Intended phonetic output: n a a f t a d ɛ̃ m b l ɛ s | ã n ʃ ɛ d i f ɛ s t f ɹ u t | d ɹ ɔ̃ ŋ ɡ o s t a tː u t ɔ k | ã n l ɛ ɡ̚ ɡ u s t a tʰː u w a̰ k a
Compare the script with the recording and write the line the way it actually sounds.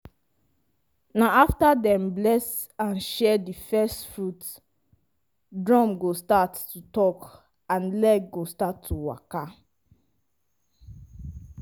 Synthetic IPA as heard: n a a f t a d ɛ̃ m b l ɛ s | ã n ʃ ɛ d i f ɛ s t f ɹ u t | d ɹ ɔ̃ m ɡ o s t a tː u t ɔ k | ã n l ɛ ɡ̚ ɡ o s t a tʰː u w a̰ k a